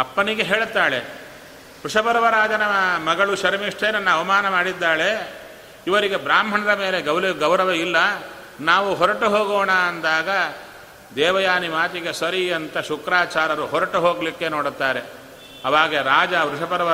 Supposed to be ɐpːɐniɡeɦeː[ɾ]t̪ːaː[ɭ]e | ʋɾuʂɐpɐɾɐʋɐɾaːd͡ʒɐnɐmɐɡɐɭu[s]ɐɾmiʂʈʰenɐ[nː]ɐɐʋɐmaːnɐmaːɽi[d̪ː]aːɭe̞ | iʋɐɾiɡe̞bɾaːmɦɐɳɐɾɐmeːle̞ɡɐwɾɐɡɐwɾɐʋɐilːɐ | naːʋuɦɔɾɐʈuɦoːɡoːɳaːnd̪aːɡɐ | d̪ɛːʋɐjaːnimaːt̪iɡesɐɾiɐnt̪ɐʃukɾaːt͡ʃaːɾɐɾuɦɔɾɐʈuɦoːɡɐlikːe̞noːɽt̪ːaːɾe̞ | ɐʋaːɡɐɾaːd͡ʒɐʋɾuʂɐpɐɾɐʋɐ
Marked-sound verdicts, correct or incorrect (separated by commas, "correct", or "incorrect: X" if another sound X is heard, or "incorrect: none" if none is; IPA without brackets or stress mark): incorrect: ɭ, correct, incorrect: ʃ, correct, correct